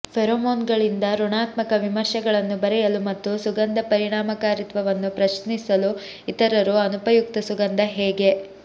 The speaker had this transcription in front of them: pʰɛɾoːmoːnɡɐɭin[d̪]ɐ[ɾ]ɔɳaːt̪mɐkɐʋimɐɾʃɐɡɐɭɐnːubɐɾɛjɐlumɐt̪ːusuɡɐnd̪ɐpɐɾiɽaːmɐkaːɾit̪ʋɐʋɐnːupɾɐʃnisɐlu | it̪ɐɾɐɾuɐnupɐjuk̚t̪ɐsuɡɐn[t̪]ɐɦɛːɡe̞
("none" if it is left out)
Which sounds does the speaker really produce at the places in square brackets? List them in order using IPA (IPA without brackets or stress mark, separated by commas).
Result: d̪, ɾ, d̪